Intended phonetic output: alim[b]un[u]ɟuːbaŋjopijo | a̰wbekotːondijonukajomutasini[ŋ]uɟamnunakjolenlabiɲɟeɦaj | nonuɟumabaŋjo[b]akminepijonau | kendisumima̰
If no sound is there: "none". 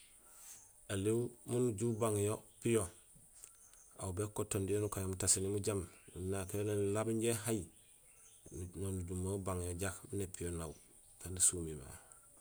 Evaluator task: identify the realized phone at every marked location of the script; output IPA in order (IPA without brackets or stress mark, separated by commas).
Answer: m, u, m, ɟ